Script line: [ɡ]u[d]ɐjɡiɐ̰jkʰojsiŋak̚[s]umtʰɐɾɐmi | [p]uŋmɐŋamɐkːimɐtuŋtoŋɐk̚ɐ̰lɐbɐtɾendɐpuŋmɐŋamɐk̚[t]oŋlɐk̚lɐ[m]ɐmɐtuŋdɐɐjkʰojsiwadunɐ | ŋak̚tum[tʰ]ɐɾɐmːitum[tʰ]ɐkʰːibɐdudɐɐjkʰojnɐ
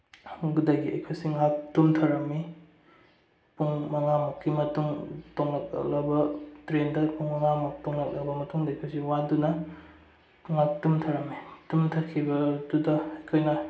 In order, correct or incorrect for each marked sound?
correct, correct, incorrect: t, correct, correct, incorrect: b, correct, correct

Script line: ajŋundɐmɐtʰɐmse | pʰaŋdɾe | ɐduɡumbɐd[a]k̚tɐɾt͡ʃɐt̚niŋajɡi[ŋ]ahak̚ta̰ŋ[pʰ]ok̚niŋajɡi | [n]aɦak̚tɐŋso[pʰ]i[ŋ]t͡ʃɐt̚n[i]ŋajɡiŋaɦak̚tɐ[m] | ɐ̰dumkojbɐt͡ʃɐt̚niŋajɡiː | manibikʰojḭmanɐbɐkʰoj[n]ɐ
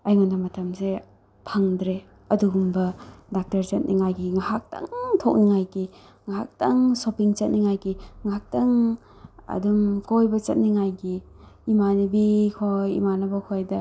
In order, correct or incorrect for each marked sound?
correct, correct, incorrect: tʰ, incorrect: ŋ, incorrect: p, correct, correct, incorrect: ŋ, incorrect: d

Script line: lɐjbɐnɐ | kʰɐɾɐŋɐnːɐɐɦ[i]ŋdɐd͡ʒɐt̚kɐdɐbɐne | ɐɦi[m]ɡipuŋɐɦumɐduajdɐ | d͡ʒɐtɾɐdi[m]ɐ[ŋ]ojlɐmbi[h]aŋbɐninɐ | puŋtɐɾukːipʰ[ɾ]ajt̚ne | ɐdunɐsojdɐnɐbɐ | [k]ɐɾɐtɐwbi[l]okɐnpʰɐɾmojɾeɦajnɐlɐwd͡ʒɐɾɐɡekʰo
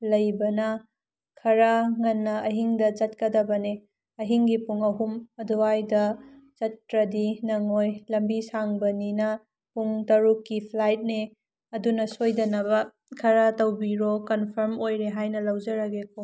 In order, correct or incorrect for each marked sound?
correct, incorrect: ŋ, incorrect: n, correct, incorrect: s, incorrect: l, incorrect: kʰ, incorrect: ɾ

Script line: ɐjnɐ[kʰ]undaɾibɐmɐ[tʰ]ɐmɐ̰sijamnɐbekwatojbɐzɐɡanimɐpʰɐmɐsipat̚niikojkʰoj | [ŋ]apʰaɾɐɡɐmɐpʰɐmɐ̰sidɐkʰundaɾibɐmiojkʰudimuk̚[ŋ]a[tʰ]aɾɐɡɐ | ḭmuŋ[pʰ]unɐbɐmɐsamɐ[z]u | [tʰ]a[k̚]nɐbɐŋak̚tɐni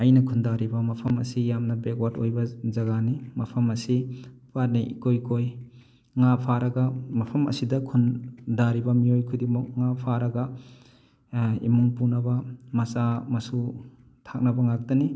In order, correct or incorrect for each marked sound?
correct, incorrect: pʰ, correct, correct, incorrect: pʰ, incorrect: p, incorrect: s, correct, correct

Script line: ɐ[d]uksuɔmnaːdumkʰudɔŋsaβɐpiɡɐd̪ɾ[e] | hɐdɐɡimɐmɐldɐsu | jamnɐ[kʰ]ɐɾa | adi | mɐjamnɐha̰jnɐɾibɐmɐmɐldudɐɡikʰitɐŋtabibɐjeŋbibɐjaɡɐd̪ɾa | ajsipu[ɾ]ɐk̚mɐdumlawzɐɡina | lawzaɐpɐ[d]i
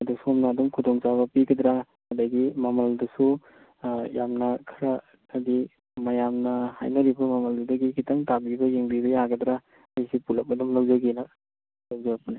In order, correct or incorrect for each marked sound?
correct, incorrect: a, correct, incorrect: l, incorrect: n

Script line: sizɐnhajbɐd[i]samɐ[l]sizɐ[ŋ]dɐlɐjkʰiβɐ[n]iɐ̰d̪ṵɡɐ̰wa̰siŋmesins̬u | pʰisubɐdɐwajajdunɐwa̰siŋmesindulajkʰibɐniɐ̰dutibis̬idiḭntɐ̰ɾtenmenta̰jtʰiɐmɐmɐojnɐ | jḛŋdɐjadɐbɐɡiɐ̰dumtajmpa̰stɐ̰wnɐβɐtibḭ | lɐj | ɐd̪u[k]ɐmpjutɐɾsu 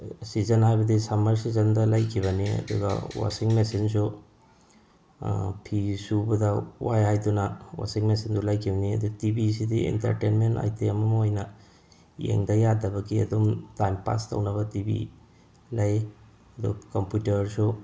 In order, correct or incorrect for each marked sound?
correct, incorrect: ɾ, incorrect: n, correct, correct

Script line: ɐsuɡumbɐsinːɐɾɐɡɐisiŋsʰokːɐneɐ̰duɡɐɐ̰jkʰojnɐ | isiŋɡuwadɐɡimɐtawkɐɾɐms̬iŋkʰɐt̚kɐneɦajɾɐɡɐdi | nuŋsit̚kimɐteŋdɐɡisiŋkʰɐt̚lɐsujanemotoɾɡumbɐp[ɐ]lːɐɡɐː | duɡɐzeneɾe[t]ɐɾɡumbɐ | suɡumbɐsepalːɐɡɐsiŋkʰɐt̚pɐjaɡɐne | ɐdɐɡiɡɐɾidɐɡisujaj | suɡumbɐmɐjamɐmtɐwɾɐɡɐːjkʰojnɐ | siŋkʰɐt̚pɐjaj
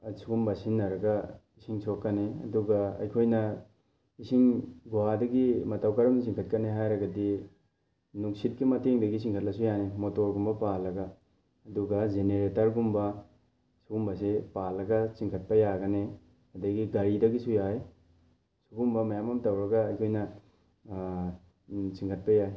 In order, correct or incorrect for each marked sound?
incorrect: a, correct

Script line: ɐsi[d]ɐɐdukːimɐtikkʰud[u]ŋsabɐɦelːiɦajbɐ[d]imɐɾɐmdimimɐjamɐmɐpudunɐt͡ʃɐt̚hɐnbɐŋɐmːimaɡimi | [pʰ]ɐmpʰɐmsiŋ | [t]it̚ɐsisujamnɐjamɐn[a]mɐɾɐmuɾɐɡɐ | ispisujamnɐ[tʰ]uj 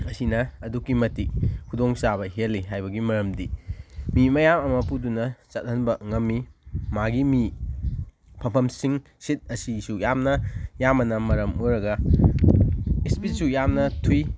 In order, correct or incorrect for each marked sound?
incorrect: n, incorrect: o, incorrect: ɡ, correct, incorrect: s, incorrect: ɐ, correct

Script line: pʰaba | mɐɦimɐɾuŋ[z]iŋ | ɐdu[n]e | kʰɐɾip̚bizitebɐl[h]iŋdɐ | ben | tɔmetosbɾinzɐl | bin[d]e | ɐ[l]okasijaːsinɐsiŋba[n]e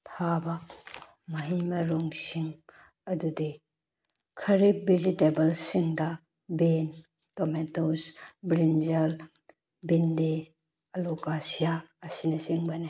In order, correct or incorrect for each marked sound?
incorrect: s, incorrect: d, incorrect: s, correct, correct, correct

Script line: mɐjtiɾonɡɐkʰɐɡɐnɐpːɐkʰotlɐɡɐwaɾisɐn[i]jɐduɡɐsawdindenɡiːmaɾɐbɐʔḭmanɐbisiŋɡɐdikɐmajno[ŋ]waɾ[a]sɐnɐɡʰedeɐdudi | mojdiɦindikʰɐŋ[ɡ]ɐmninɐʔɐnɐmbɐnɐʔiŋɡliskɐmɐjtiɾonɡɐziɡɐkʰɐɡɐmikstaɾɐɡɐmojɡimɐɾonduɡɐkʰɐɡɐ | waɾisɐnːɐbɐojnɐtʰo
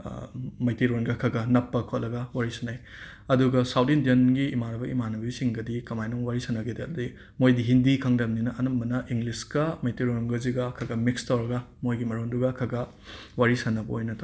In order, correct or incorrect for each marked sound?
incorrect: a, correct, incorrect: i, incorrect: d

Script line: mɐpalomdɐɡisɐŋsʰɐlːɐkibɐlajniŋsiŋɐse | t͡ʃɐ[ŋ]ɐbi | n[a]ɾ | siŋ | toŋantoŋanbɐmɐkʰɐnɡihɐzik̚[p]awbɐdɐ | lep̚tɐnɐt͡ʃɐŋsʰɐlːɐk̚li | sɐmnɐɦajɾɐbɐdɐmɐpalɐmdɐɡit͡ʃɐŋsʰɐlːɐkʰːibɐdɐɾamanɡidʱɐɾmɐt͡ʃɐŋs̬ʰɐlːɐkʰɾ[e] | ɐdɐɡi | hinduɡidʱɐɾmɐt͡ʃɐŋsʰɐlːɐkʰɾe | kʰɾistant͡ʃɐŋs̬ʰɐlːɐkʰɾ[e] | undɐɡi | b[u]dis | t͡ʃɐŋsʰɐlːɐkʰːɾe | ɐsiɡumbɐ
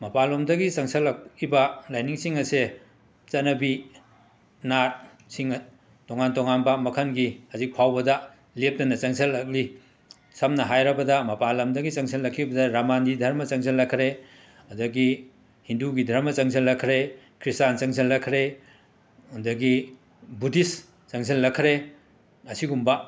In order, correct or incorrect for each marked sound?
incorrect: n, correct, incorrect: pʰ, correct, correct, correct

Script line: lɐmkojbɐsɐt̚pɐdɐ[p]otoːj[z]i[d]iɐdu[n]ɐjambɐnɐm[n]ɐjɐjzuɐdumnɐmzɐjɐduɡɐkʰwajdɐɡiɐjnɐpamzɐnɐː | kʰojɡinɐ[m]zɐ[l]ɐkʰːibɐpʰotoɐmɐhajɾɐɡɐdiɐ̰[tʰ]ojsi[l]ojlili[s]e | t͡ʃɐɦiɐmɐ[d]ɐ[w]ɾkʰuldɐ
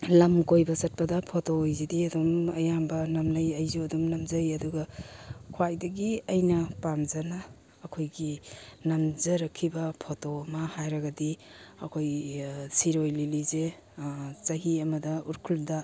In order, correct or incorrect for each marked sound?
incorrect: pʰ, correct, correct, incorrect: m, correct, correct, incorrect: ɾ, incorrect: kʰ, incorrect: ɾ, incorrect: z, correct, incorrect: u

